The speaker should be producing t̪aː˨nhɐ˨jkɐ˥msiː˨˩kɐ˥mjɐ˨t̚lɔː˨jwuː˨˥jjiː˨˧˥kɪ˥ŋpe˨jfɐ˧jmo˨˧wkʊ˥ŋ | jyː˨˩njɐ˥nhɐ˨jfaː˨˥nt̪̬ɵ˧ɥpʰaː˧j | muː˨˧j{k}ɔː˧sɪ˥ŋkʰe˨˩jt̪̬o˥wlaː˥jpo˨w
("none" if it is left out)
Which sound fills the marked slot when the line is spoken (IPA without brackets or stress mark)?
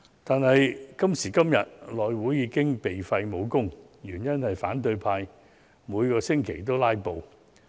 k